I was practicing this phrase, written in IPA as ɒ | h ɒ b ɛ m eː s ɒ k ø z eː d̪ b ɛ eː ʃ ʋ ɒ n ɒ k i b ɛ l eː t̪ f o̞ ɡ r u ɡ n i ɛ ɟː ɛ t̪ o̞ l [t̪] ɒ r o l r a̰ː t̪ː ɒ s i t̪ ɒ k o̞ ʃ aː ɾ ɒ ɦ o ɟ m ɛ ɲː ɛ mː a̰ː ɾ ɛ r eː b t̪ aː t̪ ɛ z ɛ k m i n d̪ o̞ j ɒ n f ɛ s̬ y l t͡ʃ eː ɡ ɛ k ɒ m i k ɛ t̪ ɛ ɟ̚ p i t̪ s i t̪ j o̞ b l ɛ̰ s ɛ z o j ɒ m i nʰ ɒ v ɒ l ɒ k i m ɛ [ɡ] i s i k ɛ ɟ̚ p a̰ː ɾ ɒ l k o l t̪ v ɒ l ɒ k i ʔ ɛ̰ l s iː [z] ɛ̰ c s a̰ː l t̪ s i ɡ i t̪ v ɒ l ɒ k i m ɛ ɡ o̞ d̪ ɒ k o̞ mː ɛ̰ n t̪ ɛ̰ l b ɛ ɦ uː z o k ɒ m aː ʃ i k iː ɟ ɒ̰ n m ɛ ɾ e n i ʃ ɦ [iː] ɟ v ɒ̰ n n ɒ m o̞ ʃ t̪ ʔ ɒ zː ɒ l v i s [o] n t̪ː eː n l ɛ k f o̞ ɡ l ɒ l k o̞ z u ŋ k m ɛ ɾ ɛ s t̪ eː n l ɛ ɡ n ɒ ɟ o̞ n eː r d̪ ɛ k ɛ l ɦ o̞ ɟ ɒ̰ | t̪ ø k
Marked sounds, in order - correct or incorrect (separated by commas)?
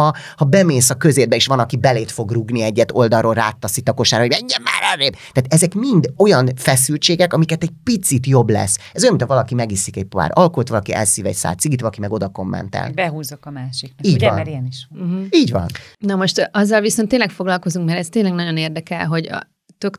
incorrect, correct, incorrect, correct, correct